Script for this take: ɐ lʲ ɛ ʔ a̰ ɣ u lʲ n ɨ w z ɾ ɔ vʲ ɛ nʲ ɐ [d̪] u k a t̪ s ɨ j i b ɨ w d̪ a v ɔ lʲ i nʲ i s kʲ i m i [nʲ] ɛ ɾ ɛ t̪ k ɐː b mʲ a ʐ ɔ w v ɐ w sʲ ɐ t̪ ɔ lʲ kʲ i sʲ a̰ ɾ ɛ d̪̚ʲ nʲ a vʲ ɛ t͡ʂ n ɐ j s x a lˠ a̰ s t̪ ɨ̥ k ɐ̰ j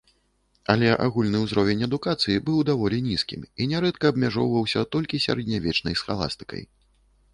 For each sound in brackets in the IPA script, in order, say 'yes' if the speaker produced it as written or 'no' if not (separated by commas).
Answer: yes, yes